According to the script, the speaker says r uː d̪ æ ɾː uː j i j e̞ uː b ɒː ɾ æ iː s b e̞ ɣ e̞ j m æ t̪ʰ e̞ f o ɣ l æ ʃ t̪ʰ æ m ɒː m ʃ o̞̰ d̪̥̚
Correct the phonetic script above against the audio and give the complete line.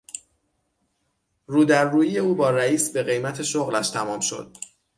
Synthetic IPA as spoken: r uː d̪ æ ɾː uː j i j e̞ uː b ɒː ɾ æ iː s b e̞ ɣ e̞ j m æ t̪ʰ e̞ ʃ o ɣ l æ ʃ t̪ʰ æ m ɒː m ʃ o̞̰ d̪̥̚